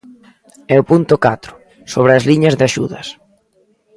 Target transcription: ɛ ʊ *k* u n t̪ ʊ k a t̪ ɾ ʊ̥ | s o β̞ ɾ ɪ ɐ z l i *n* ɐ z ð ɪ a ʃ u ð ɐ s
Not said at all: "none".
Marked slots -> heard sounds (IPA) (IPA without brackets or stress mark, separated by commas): p, ɲ